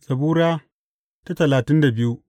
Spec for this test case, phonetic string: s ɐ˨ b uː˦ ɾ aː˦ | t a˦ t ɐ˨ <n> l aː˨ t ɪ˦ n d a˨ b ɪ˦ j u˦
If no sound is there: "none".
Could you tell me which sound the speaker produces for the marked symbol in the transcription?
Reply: none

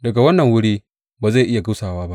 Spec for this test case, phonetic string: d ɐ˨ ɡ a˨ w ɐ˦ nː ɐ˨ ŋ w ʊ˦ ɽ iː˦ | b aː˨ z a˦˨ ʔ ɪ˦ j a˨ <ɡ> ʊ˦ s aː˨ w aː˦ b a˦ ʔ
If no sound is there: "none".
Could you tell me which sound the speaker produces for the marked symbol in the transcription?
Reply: ɡ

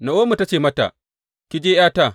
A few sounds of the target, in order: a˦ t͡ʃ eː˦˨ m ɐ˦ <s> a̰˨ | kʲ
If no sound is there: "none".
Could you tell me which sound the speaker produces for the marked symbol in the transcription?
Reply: t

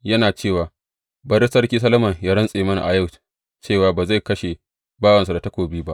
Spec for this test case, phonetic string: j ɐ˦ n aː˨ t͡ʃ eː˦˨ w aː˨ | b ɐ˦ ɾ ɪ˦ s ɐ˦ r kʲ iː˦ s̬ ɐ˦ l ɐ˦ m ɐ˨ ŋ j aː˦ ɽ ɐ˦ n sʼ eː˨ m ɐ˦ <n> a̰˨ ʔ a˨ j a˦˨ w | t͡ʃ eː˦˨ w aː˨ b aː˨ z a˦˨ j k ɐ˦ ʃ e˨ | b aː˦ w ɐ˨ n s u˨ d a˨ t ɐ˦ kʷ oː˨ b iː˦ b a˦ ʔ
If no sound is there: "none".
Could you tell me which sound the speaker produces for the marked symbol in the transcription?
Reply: n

